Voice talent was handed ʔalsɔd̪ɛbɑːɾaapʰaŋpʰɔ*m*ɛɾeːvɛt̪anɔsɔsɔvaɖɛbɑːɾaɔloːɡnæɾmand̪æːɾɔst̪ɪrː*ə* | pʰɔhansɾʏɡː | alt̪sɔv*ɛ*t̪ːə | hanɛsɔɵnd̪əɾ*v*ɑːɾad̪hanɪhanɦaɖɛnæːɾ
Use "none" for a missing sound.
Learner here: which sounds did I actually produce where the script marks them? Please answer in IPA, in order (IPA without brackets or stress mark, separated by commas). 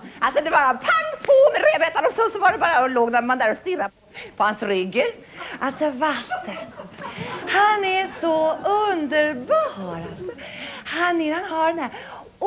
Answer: m, a, a, b